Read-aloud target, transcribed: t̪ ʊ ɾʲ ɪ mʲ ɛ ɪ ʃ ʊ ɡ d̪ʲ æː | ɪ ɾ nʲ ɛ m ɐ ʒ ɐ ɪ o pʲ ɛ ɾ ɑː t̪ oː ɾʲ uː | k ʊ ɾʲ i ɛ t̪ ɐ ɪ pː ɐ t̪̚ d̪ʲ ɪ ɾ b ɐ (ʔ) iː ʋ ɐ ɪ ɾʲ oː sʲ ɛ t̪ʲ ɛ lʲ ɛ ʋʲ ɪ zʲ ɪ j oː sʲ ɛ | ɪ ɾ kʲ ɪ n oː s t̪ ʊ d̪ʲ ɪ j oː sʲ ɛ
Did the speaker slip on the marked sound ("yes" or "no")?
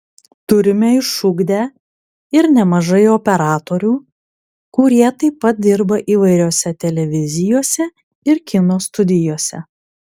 no